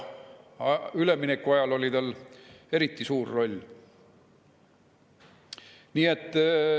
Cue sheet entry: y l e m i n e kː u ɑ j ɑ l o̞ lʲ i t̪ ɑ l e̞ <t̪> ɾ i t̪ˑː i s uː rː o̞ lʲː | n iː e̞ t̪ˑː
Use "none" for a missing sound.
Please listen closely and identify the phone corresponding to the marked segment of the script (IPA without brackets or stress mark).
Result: none